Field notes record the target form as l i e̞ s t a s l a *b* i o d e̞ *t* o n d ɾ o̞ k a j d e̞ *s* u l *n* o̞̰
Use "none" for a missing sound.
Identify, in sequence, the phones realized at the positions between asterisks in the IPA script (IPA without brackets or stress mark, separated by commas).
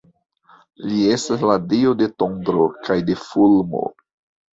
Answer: d, t, f, m